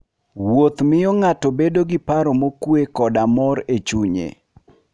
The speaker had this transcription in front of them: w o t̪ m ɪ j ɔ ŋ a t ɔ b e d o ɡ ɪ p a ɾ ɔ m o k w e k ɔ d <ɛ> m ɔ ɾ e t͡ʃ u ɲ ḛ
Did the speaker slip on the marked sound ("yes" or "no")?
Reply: yes